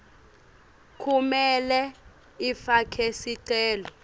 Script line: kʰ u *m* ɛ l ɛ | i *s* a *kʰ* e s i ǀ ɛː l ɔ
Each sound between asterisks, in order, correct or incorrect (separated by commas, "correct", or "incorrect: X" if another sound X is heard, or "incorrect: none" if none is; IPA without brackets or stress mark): correct, incorrect: f, correct